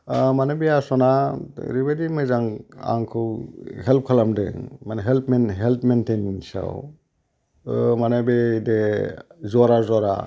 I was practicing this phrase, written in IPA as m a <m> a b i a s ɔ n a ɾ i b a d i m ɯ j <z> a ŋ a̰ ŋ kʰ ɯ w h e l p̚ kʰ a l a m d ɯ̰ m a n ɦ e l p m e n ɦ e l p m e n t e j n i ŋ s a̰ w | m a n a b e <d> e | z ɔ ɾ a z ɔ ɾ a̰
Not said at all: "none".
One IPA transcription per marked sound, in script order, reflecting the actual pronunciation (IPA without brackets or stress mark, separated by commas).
n, z, d